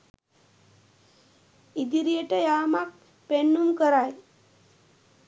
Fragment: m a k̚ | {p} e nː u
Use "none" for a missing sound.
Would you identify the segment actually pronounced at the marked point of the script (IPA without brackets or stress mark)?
p